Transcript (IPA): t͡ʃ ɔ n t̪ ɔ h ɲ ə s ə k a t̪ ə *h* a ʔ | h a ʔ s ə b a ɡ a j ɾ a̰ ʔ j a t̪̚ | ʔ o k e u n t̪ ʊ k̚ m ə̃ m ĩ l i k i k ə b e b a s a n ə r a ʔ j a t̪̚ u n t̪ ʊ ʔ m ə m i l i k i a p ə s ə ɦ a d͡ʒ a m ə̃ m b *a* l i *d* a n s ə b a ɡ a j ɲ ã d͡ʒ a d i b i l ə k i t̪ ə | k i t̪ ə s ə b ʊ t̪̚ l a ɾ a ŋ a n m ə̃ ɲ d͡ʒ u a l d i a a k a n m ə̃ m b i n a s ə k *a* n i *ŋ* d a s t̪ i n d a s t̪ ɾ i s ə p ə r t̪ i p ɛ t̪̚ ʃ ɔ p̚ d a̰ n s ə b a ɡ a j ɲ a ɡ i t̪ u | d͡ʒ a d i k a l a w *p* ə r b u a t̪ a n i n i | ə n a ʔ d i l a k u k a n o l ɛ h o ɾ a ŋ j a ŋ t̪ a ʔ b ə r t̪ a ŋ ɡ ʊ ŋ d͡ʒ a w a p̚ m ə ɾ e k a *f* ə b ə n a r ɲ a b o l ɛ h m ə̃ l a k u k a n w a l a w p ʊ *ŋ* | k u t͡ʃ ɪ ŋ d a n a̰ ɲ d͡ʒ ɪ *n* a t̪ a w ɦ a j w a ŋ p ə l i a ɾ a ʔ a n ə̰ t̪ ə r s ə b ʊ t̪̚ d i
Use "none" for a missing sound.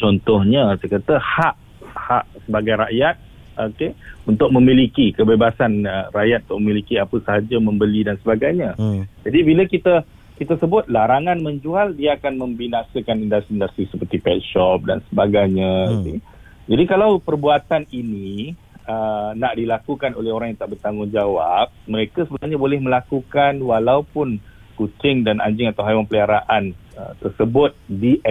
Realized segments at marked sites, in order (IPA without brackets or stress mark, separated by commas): h, ə, d, a, n, p, s, n, ŋ